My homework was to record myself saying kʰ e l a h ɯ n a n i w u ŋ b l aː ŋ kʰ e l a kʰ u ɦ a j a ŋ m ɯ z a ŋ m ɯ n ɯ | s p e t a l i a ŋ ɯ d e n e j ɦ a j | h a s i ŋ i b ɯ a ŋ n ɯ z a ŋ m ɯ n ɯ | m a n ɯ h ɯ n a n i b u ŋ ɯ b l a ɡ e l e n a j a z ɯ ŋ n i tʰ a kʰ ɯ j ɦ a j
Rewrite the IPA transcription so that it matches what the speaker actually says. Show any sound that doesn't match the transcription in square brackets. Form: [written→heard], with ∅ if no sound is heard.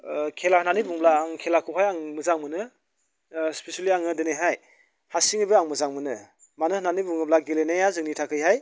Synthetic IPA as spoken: kʰ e l a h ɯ n a n i [w→b] u ŋ b l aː ŋ kʰ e l a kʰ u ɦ a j a ŋ m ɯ z a ŋ m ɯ n ɯ | s p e [t→s] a l i a ŋ ɯ d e n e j ɦ a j | h a s i ŋ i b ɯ a ŋ [n→m] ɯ z a ŋ m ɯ n ɯ | m a n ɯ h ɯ n a n i b u ŋ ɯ b l a ɡ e l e n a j a z ɯ ŋ n i tʰ a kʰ ɯ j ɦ a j

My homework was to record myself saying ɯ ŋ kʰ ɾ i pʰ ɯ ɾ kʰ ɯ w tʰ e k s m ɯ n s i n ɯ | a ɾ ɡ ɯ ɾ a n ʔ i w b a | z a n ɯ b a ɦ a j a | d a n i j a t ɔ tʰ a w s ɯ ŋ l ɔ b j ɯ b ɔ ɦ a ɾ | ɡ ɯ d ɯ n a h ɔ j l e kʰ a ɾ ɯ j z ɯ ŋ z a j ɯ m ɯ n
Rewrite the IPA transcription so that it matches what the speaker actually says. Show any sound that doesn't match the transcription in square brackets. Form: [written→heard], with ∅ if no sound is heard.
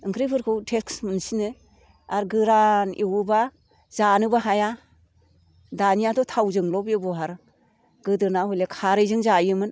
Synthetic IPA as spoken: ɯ ŋ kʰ ɾ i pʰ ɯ ɾ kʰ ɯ w tʰ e k s m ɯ n s i n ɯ | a ɾ ɡ ɯ ɾ a n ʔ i w b a | z a n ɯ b a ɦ a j a | d a n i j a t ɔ tʰ a w [s→z] ɯ ŋ l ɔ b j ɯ b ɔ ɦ a ɾ | ɡ ɯ d ɯ n a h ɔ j l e kʰ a ɾ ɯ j z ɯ ŋ z a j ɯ m ɯ n

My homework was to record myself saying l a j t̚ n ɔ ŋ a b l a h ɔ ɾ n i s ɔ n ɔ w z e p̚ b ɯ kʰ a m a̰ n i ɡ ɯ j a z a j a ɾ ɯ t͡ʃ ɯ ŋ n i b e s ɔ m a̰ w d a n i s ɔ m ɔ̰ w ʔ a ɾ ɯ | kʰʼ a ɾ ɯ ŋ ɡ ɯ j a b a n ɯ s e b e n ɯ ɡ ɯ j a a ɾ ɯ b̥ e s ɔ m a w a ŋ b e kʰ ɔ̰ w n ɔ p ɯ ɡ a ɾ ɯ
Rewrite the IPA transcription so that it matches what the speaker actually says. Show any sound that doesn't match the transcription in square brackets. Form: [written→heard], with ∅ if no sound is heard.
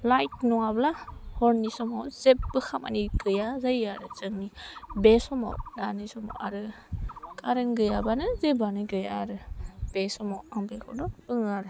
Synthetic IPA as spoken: l a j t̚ n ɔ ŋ a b l a h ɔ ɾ n i s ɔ [n→m] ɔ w z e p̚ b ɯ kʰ a m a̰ n i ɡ ɯ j a z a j a ɾ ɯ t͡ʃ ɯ ŋ n i b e s ɔ m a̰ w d a n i s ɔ m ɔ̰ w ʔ a ɾ ɯ | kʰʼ a ɾ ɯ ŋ ɡ ɯ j a b a n ɯ [s→z] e b [e→a] n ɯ ɡ ɯ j a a ɾ ɯ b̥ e s ɔ m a w a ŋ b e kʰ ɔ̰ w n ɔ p ɯ [ɡ→ŋ] a ɾ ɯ

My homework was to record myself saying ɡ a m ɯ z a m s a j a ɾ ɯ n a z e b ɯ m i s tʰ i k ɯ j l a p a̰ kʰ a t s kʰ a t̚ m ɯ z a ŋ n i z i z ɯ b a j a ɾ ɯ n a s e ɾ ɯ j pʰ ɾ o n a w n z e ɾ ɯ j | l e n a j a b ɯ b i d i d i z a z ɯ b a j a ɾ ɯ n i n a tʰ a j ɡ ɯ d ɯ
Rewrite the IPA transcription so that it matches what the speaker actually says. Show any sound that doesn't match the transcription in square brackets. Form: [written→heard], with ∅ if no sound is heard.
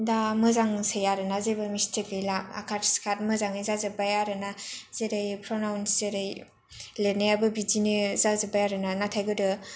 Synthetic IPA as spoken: [ɡ→d] a m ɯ z a [m→ŋ] s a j a ɾ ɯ n a z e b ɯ m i s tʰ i k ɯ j l a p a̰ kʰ a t s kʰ a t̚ m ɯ z a ŋ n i z [i→a] z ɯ b a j a ɾ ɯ n a [s→z] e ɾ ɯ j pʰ ɾ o n a w n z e ɾ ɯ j | l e n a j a b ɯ b i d i [d→n] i z a z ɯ b a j a ɾ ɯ n [i→a] n a tʰ a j ɡ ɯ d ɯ

